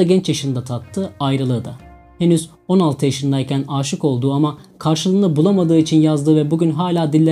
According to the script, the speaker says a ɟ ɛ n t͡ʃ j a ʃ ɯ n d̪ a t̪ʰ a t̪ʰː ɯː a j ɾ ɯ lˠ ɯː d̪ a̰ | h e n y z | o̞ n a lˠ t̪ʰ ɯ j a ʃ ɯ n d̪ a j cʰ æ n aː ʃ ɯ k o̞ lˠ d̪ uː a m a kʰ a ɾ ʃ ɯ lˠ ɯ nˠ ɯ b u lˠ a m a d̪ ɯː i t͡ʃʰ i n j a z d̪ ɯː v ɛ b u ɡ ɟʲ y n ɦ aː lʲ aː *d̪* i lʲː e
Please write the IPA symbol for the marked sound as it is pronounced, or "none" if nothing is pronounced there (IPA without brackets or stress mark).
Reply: d̪